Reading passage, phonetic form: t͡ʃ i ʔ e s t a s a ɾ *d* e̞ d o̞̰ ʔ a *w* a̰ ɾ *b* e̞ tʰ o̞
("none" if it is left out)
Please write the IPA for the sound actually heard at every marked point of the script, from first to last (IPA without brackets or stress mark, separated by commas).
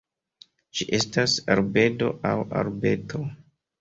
b, w, b